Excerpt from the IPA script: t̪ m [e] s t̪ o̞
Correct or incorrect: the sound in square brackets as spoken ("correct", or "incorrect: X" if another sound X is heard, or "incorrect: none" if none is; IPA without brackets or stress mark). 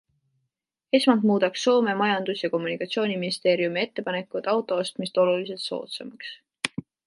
incorrect: i